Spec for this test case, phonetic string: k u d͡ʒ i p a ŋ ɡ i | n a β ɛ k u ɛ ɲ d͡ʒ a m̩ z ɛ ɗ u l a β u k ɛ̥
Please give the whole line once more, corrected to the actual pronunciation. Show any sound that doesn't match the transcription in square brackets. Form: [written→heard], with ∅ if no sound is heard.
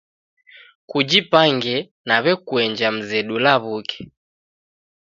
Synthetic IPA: k u d͡ʒ i p a ŋ ɡ [i→ɛ] | n a β ɛ k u ɛ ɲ d͡ʒ a m̩ z ɛ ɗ u l a β u k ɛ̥